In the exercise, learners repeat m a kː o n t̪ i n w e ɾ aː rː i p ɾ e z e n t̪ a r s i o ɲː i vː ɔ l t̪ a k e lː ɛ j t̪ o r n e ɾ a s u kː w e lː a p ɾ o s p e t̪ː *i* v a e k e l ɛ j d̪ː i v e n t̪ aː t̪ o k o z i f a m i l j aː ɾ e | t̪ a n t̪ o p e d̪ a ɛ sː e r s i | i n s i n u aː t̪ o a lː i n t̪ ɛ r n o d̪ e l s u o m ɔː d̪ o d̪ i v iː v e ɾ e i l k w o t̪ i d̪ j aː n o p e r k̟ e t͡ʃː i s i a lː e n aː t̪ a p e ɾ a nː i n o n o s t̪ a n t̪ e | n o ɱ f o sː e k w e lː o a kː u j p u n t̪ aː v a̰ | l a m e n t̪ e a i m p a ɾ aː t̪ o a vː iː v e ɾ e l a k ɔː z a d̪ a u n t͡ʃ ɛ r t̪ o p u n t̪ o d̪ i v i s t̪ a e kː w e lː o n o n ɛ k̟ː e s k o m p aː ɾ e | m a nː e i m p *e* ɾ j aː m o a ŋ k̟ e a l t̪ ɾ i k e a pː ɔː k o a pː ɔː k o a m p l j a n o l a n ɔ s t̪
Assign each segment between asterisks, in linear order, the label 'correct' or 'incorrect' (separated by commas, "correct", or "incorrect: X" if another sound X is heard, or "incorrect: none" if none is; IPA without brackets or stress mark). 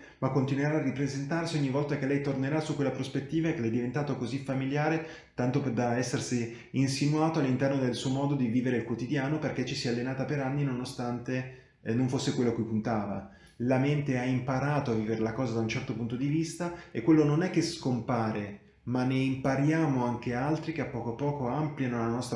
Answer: incorrect: iː, incorrect: a